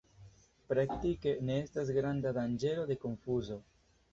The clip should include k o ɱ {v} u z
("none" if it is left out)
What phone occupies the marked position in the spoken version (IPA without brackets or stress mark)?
f